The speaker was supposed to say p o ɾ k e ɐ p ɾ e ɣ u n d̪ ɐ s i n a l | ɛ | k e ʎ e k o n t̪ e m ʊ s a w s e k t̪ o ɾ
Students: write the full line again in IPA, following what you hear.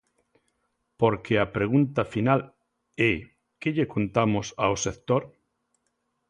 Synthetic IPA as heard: p o ɾ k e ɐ p ɾ e ɣ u n t̪ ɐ f i n a l | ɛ | k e ʎ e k o n t̪ a m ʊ s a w s e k t̪ o ɾ